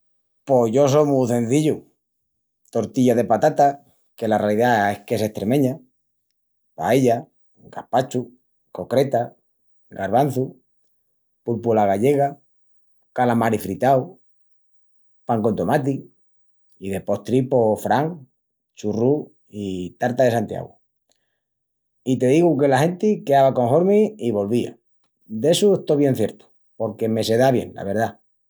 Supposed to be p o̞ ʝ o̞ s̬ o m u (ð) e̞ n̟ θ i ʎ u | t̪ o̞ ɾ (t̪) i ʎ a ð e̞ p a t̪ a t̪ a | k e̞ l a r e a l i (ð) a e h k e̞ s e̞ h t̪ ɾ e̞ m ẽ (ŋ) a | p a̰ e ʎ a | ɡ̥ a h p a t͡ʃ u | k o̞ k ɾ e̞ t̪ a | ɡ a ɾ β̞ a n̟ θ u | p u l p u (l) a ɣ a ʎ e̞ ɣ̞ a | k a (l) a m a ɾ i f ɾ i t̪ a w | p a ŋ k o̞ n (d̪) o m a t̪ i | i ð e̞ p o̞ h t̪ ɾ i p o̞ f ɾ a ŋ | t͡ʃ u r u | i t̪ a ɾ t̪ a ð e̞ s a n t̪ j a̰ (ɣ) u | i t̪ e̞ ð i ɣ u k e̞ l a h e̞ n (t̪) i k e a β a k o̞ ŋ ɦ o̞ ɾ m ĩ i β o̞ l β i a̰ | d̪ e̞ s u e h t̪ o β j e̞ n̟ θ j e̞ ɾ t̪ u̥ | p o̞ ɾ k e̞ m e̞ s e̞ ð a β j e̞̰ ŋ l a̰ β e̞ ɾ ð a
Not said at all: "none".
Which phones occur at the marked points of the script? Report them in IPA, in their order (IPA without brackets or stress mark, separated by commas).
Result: θ, t̪, ð, ɲ, l, l, t̪, ɣ, t̪